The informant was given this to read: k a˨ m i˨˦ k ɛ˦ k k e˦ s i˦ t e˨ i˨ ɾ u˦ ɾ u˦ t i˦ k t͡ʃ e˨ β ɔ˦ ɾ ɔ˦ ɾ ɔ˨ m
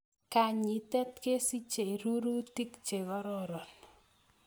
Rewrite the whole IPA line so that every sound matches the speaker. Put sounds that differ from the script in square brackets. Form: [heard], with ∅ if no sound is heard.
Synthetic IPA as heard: k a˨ [ɲ] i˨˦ [t] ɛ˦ [t] k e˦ s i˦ [t͡ʃ] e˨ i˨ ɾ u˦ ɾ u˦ t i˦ k t͡ʃ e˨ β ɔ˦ ɾ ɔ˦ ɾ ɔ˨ [n]